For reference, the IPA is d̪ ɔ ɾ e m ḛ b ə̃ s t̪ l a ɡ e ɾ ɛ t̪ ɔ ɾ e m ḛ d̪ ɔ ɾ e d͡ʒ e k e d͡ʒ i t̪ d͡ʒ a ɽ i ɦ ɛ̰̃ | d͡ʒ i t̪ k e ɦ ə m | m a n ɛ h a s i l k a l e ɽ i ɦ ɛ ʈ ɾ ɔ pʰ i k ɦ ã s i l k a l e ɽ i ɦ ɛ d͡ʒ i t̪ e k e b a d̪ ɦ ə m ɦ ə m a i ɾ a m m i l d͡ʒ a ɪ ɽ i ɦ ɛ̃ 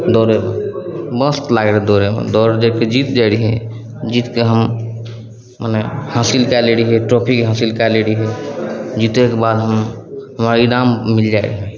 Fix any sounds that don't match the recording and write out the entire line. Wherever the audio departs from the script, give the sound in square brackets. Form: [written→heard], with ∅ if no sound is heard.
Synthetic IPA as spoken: d̪ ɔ ɾ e m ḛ b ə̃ s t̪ l a ɡ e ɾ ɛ [t̪→d̪] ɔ ɾ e m ḛ d̪ ɔ ɾ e d͡ʒ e k e d͡ʒ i t̪ d͡ʒ a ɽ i ɦ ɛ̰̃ | d͡ʒ i t̪ k e ɦ ə m | m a n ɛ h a s i l k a l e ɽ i ɦ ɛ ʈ ɾ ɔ pʰ i k ɦ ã s i l k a l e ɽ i ɦ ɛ d͡ʒ i t̪ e k e b a d̪ ɦ ə m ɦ ə m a i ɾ a m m i l d͡ʒ a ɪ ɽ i ɦ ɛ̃